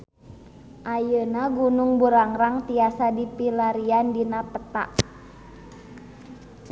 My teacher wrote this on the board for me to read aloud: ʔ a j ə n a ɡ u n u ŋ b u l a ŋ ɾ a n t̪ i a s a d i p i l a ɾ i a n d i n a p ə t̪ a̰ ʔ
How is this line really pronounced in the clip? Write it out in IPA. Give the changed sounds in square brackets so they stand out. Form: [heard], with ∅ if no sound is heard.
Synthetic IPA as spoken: ʔ a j ə n a ɡ u n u ŋ b u [ɾ] a ŋ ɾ a [ŋ] t̪ i a s a d i p i l a ɾ i a n d i n a p ə t̪ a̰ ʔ